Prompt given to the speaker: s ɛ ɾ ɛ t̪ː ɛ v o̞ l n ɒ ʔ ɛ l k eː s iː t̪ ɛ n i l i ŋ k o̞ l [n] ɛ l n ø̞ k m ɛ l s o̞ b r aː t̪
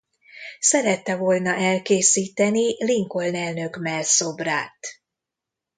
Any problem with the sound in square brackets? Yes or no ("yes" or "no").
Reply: no